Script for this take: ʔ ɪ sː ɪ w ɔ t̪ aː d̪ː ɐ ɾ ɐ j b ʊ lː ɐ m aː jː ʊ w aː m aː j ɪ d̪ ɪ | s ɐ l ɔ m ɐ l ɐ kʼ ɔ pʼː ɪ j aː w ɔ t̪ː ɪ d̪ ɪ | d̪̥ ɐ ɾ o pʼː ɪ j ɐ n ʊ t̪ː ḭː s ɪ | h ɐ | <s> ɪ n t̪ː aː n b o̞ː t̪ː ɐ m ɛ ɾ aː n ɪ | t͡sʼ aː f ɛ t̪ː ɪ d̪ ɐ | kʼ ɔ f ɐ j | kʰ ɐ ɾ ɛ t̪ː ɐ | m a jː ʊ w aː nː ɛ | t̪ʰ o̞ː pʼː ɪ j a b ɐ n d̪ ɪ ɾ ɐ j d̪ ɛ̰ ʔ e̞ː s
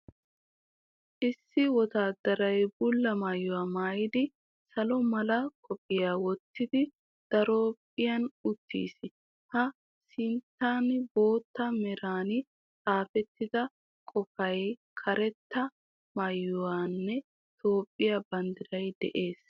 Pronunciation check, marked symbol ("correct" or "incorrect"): correct